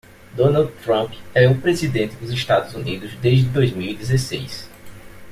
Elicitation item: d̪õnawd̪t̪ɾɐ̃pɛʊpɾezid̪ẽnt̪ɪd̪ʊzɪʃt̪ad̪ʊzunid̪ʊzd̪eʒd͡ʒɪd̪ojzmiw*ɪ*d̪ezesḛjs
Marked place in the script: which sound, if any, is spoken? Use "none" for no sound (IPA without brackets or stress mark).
i